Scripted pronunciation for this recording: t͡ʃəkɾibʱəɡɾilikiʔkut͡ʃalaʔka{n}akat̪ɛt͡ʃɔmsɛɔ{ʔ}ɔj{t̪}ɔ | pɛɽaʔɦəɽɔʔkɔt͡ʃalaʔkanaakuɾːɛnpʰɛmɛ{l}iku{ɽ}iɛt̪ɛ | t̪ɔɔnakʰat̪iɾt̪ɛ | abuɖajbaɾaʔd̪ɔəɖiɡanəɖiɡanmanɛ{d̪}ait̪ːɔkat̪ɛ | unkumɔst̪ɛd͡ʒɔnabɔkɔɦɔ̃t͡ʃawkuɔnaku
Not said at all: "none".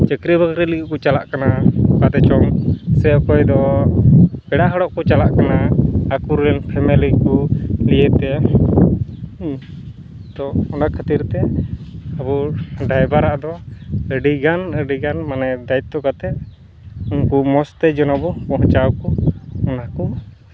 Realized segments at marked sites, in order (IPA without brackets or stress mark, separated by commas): n, k, d̪, l, l, d̪